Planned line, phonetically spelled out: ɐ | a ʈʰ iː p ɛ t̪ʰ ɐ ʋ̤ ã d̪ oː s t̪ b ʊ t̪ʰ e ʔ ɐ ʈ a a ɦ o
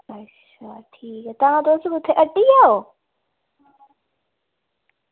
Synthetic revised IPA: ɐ | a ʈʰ iː k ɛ t̪ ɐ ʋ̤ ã d̪ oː s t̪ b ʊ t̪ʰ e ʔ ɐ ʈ i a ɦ o